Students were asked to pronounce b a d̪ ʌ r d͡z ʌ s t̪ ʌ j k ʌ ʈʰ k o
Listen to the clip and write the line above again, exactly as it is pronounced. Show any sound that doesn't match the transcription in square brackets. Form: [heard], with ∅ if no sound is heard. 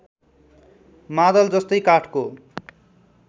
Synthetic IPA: [m] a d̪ ʌ [l] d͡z ʌ s t̪ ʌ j k [a] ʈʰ k o